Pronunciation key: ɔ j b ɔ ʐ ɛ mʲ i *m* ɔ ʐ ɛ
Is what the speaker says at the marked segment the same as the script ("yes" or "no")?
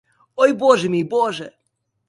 no